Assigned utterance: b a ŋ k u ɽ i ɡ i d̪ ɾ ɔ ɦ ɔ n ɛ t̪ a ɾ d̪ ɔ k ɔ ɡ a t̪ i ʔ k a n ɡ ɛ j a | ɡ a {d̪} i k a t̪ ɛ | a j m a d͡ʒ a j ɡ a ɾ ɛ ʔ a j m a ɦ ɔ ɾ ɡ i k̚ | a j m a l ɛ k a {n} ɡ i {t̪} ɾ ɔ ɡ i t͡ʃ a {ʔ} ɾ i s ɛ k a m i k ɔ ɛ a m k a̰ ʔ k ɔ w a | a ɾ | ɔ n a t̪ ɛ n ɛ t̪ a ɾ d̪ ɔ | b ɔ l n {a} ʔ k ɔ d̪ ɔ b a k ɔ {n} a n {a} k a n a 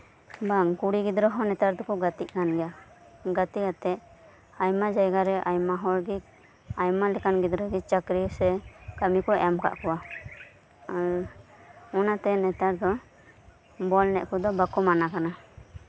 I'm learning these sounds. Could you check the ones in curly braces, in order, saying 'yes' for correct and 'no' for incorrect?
no, yes, no, no, no, no, yes

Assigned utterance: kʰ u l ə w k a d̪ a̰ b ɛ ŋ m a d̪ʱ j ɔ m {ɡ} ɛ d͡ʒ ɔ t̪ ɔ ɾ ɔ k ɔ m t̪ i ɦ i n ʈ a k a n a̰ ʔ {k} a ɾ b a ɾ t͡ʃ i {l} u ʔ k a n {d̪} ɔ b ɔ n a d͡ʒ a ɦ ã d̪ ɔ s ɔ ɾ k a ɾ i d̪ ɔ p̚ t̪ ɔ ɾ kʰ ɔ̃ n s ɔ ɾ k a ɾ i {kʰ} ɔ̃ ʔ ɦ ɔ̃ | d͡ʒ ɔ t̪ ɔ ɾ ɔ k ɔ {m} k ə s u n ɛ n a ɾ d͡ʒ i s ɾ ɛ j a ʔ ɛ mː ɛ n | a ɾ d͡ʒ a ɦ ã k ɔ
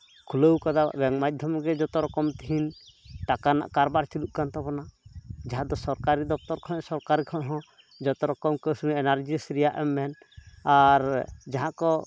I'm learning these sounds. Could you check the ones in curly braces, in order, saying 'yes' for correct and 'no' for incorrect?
yes, yes, yes, no, yes, yes

